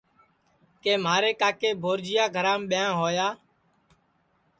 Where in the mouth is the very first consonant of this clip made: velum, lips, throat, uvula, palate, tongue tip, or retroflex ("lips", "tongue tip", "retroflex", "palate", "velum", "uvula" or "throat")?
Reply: velum